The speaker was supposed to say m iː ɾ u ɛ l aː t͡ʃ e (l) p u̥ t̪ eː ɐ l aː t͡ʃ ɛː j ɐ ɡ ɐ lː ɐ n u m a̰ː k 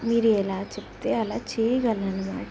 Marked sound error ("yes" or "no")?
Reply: yes